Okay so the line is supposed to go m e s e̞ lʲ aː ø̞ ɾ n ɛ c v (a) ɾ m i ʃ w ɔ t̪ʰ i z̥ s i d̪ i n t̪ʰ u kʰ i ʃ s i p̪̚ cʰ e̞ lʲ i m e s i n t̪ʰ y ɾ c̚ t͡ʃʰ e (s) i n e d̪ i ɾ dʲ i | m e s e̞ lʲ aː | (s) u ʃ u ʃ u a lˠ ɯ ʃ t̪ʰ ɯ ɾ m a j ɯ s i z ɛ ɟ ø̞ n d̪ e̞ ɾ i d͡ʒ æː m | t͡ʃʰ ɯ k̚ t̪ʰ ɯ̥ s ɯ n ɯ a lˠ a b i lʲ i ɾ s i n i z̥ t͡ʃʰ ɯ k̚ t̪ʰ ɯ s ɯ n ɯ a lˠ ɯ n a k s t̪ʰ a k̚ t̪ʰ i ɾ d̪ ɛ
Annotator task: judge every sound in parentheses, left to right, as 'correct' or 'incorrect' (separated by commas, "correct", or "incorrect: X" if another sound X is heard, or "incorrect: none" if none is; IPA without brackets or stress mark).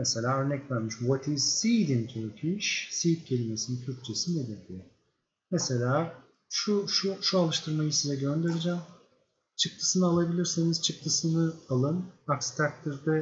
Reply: incorrect: æ, correct, incorrect: ʃ